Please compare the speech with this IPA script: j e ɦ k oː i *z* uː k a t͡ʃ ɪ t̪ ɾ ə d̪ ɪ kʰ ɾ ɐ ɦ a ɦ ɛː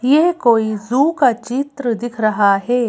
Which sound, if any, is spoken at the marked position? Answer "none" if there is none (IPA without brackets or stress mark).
z